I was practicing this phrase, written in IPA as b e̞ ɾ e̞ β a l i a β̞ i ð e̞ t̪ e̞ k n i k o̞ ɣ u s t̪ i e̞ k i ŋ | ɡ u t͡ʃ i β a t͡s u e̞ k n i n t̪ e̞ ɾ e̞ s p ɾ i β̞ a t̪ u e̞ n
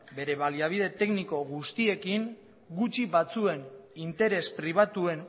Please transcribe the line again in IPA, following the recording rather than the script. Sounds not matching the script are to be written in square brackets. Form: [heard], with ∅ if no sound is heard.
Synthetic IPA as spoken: b e̞ ɾ e̞ β a l i a β̞ i ð e̞ t̪ e̞ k n i k o̞ ɣ u s t̪ i e̞ k i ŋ | ɡ u t͡ʃ i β a t͡s u e̞ [∅] n i n t̪ e̞ ɾ e̞ s p ɾ i β̞ a t̪ u e̞ n